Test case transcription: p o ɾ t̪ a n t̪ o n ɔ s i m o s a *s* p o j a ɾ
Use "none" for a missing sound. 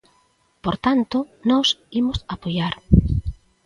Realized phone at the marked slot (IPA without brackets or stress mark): none